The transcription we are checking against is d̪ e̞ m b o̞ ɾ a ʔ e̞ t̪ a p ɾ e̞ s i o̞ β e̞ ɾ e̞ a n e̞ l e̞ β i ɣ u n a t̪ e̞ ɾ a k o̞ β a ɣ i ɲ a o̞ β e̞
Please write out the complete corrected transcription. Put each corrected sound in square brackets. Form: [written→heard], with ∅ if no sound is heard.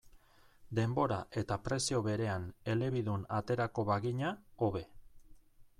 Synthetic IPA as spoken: d̪ e̞ m b o̞ ɾ a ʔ e̞ t̪ a p ɾ e̞ s i o̞ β e̞ ɾ e̞ a n e̞ l e̞ β i [ɣ→ð] u n a t̪ e̞ ɾ a k o̞ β a ɣ i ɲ a o̞ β e̞